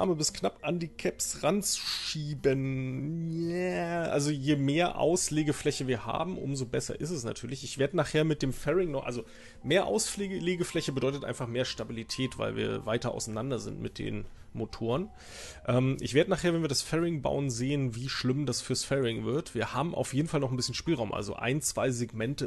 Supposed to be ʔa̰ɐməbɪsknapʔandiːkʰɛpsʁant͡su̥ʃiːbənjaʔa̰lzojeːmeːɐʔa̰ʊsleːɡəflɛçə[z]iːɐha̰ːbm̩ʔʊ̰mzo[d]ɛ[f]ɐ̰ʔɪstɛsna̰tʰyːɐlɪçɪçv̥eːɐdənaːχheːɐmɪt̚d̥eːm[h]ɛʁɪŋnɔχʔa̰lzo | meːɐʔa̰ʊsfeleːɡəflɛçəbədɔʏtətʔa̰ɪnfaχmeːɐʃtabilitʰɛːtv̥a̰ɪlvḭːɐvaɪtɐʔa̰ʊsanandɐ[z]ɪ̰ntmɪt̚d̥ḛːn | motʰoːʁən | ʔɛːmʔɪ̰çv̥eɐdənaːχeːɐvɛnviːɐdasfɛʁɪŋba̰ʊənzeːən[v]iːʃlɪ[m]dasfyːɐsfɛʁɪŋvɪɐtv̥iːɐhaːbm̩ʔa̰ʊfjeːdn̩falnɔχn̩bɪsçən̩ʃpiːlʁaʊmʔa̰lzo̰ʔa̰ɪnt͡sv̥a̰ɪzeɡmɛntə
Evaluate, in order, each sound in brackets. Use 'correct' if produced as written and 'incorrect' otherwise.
incorrect: v, incorrect: b, incorrect: s, incorrect: f, correct, correct, correct

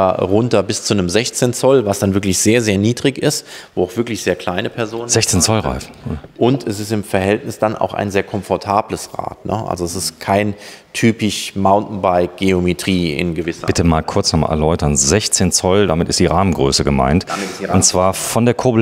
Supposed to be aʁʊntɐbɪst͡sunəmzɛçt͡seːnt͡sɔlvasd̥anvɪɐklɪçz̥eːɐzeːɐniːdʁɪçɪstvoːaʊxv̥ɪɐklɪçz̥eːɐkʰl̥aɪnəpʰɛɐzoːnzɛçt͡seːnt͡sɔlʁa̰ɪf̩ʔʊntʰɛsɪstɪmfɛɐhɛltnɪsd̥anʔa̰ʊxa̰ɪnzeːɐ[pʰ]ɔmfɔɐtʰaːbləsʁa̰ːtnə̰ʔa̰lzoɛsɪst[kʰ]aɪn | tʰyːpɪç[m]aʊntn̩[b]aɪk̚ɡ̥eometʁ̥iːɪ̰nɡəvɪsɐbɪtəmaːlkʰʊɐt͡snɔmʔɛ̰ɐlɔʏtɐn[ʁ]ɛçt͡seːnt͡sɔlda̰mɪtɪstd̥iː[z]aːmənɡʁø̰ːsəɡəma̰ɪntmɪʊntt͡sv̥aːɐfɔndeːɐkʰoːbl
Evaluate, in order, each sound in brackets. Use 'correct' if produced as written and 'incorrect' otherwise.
incorrect: kʰ, correct, correct, correct, incorrect: z, incorrect: ʁ

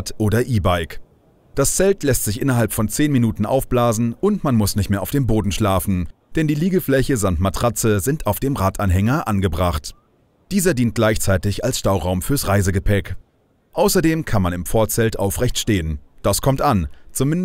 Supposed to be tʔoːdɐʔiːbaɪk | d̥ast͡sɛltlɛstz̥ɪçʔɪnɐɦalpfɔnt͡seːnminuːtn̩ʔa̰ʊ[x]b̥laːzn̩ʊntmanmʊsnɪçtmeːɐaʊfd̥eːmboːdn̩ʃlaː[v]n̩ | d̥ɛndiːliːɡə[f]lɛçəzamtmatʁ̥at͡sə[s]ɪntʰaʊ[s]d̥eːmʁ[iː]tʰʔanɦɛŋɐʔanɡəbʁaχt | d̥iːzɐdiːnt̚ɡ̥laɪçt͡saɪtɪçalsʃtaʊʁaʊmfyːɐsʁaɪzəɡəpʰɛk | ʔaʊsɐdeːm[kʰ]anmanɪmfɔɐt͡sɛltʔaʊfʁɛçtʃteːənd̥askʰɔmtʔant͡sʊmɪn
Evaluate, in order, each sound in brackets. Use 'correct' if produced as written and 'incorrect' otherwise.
incorrect: f, incorrect: f, correct, incorrect: z, incorrect: f, incorrect: aː, correct

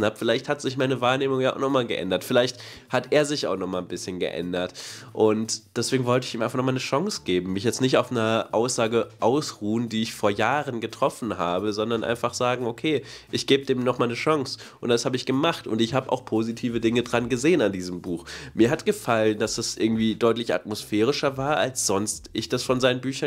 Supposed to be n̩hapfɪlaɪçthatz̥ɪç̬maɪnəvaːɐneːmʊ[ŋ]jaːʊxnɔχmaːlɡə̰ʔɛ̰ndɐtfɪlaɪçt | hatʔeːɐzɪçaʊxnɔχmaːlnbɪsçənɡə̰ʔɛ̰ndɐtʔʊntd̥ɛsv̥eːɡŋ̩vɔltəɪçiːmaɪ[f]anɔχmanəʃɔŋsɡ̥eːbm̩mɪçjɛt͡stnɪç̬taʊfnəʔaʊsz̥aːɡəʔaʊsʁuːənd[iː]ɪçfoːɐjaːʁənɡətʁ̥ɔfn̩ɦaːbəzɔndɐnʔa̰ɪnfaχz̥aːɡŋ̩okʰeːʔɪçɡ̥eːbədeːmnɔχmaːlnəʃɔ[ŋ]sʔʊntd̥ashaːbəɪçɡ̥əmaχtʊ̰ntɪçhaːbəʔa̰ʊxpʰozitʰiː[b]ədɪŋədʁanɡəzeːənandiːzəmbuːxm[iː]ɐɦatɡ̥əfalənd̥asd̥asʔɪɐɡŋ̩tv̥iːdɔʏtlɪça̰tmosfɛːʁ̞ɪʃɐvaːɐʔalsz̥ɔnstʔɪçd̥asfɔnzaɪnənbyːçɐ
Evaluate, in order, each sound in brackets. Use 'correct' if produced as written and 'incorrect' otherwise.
correct, correct, correct, correct, incorrect: v, correct

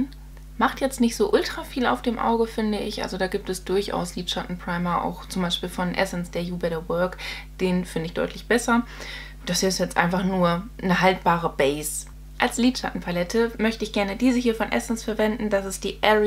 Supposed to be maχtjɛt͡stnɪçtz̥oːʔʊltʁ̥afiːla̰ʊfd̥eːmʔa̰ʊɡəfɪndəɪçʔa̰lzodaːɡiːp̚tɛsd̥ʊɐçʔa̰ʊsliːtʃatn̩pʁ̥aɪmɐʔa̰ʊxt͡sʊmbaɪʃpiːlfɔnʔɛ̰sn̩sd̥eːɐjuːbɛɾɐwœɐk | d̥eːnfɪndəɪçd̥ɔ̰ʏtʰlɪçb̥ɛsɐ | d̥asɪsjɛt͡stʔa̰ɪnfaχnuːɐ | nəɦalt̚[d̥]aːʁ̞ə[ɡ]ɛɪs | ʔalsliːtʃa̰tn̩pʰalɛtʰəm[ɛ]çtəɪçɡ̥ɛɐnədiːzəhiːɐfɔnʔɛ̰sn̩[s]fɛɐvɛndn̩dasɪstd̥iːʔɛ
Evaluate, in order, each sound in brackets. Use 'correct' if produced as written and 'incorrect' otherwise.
incorrect: b̥, incorrect: b, incorrect: œ, correct

